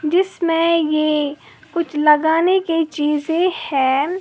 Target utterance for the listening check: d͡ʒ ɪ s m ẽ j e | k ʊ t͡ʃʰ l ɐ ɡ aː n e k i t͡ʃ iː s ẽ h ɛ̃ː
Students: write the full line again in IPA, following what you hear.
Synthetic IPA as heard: d͡ʒ ɪ s m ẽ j e | k ʊ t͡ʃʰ l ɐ ɡ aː n e k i t͡ʃ iː z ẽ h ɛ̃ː